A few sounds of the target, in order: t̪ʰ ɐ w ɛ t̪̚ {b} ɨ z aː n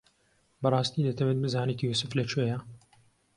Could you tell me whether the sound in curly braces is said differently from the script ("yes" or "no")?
no